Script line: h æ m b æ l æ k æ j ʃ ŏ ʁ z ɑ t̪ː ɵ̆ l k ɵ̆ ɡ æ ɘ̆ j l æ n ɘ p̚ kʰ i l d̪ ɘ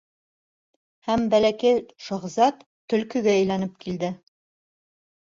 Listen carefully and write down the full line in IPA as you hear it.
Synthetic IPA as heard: h æ m b æ l æ k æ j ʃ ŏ ʁ z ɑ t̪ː ɵ̆ l k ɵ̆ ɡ æ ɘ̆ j l æ n ɘ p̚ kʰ i l d̪ ɘ